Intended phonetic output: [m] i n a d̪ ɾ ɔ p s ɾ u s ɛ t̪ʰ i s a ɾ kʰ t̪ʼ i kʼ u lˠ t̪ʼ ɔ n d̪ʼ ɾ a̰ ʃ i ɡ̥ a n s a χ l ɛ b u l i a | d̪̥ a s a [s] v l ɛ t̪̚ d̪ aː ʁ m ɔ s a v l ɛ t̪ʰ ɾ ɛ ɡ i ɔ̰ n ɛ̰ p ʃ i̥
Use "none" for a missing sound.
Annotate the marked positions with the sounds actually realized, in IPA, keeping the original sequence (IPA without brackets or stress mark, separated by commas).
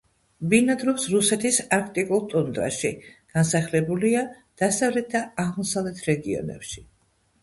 b, none